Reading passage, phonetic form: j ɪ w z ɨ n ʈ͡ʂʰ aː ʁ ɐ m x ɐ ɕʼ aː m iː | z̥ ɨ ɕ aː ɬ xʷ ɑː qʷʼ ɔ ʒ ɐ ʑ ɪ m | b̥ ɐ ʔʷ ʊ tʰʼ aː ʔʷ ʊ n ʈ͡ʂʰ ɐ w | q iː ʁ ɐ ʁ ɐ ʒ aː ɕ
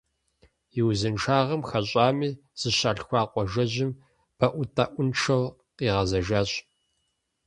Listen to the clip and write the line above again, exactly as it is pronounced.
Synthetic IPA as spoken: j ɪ w z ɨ n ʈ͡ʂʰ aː ʁ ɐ m x ɐ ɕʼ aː m iː | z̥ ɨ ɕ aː ɬ xʷ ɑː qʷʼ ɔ ʒ ɐ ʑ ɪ m | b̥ ɐ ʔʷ ʊ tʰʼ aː ʔʷ ʊ n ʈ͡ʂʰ ɐ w | q iː ʁ ɐ z ɐ ʒ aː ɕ